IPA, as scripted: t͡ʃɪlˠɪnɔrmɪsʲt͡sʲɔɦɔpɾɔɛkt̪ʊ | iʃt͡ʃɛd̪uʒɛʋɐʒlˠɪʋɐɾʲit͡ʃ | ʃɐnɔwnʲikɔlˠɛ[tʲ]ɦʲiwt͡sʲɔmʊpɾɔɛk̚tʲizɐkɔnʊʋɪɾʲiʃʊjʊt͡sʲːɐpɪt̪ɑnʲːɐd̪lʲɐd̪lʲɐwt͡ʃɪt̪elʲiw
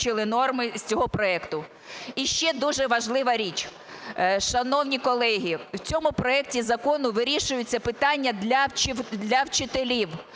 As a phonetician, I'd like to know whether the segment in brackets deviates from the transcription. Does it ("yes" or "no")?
yes